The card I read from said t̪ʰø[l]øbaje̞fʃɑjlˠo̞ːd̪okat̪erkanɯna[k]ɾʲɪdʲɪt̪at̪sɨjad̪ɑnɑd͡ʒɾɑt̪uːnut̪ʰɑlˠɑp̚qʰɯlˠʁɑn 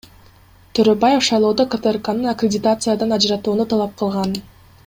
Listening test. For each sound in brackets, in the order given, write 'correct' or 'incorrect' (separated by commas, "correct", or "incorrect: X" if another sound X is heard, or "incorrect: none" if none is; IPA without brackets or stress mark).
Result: incorrect: ɾ, correct